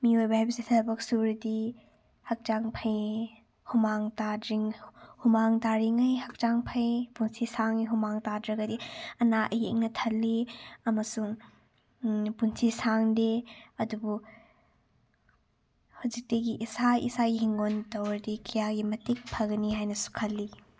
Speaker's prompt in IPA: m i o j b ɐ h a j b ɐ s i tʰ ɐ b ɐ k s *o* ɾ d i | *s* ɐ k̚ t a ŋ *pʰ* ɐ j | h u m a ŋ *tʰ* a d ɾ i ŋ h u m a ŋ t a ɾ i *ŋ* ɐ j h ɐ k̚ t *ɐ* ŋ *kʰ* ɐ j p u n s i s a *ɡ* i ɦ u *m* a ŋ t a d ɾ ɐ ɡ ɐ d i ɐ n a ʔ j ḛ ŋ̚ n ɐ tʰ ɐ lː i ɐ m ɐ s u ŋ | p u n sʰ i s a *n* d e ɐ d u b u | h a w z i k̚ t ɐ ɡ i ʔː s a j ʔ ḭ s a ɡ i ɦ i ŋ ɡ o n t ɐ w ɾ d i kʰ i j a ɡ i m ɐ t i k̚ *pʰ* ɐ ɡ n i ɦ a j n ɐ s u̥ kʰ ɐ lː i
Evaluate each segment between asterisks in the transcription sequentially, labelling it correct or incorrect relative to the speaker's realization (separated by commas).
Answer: incorrect, incorrect, correct, incorrect, correct, incorrect, incorrect, incorrect, correct, incorrect, correct